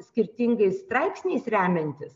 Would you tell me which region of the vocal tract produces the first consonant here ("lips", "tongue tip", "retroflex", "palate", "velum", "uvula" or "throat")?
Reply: tongue tip